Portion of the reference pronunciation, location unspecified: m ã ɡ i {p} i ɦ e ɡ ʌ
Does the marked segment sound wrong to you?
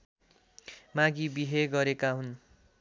yes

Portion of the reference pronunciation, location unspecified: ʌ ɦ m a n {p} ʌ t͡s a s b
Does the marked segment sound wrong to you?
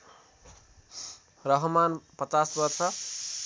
no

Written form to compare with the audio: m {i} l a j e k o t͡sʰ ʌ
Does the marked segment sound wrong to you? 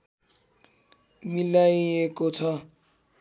no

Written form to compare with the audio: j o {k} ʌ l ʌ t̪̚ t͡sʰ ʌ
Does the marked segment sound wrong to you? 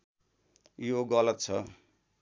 yes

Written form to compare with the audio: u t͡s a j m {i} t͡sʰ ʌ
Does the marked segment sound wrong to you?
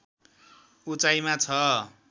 yes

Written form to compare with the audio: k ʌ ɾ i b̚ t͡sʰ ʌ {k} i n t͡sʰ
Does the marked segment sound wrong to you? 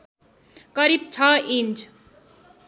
yes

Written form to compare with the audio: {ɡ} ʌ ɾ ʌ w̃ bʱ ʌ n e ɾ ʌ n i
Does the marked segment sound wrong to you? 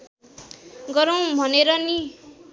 no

